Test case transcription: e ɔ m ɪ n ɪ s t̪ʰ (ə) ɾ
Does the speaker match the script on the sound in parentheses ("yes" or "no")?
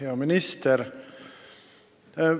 yes